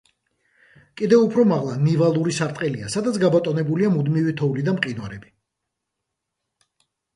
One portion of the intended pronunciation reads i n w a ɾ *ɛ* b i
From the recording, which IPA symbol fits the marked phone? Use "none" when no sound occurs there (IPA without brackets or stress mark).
ɛ